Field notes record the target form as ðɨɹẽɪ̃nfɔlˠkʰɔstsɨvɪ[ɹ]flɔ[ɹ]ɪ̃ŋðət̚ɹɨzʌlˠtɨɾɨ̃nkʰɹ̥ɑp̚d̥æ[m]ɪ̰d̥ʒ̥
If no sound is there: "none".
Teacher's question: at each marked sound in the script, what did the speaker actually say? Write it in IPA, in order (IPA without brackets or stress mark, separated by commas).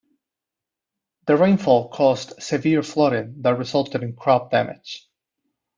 ɹ, ɾ, m